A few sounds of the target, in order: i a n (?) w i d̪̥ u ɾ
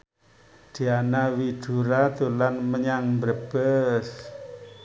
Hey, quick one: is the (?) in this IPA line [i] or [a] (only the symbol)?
a